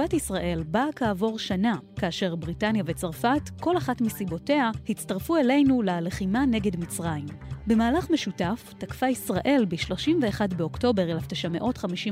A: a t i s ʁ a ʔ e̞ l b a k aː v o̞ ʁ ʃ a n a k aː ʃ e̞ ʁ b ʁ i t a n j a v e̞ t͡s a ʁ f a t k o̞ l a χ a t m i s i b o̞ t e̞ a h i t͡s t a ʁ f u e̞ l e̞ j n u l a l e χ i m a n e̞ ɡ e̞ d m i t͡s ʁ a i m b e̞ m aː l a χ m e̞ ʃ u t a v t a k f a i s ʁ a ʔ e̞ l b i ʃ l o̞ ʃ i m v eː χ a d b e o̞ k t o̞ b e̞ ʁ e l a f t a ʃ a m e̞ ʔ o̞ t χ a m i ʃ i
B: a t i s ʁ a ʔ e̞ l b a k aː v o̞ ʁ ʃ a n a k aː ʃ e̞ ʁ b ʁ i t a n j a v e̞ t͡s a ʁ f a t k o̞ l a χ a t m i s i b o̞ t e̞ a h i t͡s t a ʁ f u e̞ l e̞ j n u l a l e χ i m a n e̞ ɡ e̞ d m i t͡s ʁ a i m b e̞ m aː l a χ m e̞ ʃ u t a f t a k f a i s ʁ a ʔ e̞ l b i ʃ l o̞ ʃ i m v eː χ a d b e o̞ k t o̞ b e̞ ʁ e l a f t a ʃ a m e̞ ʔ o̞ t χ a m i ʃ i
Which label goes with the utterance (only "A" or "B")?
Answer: B